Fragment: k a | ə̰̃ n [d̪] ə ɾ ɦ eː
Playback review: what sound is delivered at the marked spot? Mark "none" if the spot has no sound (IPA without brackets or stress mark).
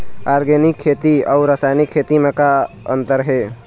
t̪